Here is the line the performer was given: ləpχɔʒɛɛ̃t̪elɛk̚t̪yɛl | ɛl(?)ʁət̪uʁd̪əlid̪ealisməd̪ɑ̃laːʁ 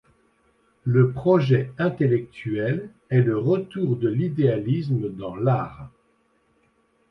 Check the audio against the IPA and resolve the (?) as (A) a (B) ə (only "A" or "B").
B